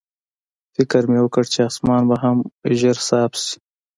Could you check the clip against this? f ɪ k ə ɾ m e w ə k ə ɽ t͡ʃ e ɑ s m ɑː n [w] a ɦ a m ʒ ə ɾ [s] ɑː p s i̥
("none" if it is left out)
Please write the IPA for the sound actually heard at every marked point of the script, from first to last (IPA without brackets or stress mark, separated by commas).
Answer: b, s